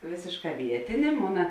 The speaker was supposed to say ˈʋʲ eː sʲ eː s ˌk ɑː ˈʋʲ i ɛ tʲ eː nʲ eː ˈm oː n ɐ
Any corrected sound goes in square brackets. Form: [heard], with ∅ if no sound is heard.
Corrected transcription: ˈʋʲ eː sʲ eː [ʃ] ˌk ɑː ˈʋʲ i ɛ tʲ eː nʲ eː ˈm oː n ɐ